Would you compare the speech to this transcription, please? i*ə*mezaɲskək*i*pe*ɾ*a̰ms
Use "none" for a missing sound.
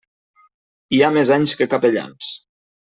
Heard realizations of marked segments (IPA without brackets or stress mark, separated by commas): a, a, ʎ